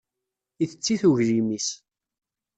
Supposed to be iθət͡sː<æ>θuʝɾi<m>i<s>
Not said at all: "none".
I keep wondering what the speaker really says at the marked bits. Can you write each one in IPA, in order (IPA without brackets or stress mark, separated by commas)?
i, m, s